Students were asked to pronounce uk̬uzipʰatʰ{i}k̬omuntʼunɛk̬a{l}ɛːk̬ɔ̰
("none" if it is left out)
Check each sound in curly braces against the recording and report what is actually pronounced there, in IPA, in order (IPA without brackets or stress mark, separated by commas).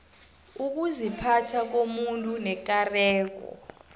a, r